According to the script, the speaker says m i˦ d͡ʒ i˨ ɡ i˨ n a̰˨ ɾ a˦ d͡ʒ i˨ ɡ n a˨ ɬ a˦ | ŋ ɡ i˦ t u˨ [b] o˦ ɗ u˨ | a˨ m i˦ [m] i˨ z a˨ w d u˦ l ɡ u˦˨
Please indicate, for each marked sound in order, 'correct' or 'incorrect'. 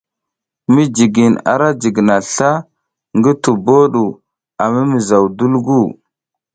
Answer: correct, correct

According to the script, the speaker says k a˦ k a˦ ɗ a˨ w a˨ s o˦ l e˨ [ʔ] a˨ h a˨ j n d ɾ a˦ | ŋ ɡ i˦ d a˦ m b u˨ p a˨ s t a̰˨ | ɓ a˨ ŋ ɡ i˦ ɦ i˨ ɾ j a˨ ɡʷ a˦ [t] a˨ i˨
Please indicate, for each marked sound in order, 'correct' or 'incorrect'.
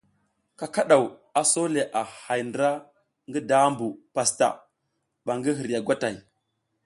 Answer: correct, correct

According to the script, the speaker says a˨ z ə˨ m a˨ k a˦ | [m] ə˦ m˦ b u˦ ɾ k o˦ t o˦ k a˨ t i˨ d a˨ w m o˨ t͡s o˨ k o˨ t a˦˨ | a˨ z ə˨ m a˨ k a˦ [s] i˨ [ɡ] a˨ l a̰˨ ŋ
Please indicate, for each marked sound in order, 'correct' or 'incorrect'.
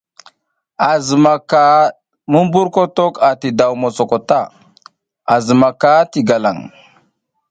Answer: correct, incorrect: t, correct

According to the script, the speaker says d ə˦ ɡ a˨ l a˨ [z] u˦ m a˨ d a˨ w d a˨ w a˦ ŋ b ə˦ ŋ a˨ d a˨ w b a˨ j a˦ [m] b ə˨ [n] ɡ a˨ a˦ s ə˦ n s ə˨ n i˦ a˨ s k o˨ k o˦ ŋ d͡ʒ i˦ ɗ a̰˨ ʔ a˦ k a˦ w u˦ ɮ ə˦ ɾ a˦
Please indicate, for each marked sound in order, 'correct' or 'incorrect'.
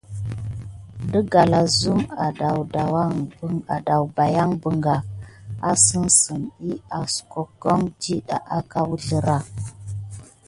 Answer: correct, incorrect: ŋ, incorrect: ŋ

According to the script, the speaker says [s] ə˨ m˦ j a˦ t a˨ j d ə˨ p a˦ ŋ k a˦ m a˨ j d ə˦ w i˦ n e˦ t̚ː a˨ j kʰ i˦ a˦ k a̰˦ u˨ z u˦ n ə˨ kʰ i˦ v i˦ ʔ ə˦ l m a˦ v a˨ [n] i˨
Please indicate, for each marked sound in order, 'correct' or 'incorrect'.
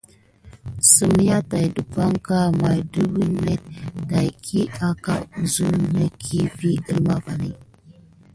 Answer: correct, correct

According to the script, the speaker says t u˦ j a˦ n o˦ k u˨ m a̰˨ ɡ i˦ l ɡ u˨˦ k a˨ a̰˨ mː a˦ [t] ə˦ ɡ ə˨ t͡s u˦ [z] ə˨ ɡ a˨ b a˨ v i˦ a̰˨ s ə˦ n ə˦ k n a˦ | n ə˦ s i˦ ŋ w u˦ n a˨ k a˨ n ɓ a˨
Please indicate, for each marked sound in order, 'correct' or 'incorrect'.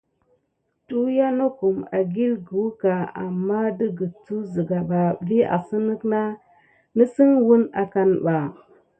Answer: incorrect: d, correct

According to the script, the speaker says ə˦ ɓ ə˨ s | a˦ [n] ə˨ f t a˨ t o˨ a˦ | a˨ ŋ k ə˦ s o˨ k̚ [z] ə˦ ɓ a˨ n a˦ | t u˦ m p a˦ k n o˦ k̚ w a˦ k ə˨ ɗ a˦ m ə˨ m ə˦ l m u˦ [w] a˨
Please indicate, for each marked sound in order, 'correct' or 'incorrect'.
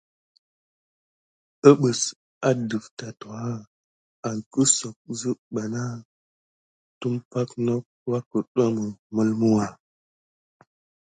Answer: incorrect: d, correct, correct

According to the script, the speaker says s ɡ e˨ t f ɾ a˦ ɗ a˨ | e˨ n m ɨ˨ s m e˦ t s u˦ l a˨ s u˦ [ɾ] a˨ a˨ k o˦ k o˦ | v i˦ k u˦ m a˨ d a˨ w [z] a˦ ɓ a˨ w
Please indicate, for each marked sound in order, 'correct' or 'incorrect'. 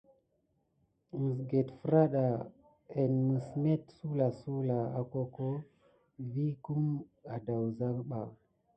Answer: incorrect: l, correct

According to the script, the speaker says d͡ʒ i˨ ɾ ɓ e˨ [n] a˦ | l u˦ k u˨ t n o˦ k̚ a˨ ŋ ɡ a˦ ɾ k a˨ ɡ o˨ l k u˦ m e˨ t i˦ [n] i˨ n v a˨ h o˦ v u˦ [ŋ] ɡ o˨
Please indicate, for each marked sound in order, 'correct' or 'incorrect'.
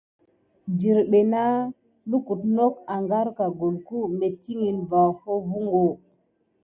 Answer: correct, incorrect: ŋ, correct

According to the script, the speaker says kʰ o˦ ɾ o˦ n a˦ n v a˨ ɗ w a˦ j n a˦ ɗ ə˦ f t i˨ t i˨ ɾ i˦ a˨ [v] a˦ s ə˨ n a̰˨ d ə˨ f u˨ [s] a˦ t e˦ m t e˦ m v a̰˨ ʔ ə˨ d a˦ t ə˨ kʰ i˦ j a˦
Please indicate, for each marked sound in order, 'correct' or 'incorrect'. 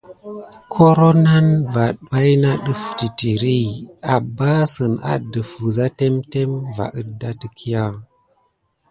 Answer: incorrect: b, incorrect: z

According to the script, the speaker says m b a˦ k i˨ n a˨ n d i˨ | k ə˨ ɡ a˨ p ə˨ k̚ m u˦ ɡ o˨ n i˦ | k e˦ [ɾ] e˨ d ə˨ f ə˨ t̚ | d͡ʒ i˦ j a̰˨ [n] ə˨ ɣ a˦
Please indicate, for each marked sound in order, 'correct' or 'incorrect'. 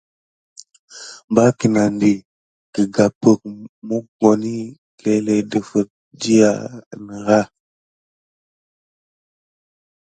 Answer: incorrect: l, correct

